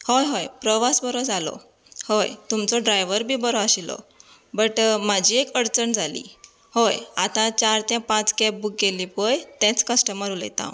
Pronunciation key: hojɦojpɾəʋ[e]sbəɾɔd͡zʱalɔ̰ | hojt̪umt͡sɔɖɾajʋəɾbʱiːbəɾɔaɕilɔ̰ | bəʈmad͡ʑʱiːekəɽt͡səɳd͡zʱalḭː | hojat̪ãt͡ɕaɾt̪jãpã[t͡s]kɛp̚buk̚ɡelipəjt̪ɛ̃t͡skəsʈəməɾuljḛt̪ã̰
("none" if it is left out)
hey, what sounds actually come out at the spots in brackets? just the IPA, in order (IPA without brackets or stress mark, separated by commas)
a, t͡s